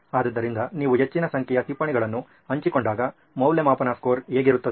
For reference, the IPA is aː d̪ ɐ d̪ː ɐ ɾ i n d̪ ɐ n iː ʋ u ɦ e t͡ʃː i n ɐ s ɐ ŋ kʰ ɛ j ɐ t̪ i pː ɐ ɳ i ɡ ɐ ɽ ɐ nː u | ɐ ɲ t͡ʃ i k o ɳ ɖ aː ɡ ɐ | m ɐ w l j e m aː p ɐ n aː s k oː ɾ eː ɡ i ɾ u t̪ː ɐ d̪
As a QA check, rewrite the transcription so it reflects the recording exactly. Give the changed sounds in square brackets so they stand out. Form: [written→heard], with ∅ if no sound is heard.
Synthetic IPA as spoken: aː d̪ ɐ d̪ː ɐ ɾ i n d̪ ɐ n iː ʋ u ɦ e t͡ʃː i n ɐ s ɐ ŋ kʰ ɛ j ɐ t̪ i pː ɐ ɳ i ɡ ɐ [ɽ→ɭ] ɐ nː u | ɐ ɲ t͡ʃ i k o ɳ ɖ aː ɡ ɐ | m ɐ w l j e m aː p ɐ n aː s k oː ɾ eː ɡ i ɾ u t̪ː ɐ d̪